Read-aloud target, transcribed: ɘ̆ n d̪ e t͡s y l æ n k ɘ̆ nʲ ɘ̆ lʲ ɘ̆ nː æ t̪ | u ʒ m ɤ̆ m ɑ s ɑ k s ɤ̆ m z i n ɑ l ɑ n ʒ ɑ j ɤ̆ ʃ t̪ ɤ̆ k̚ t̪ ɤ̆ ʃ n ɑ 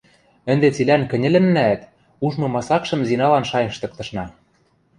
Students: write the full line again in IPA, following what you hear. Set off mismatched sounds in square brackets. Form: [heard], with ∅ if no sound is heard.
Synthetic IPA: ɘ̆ n d̪ e t͡s [i] l æ n k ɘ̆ nʲ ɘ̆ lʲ ɘ̆ nː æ t̪ | u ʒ m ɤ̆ m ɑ s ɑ k [ʃ] ɤ̆ m z i n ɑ l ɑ n [ʃ] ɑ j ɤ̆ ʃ t̪ ɤ̆ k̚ t̪ ɤ̆ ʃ n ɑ